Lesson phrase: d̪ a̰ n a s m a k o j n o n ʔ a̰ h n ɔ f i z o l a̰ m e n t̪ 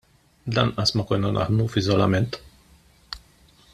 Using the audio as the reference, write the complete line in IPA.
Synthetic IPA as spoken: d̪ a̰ n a s m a k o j n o n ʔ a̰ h n u f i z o l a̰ m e n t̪